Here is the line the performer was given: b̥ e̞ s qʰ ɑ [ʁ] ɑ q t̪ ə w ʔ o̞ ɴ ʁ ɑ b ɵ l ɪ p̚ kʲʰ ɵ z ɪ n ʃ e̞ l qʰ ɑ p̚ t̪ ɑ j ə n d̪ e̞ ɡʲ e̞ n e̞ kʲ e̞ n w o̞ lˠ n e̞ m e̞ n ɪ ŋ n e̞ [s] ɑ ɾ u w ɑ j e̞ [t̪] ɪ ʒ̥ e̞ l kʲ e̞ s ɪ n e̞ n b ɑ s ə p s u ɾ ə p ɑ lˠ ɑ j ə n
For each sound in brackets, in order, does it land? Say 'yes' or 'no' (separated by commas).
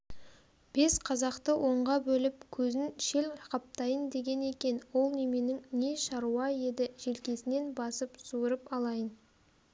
no, no, no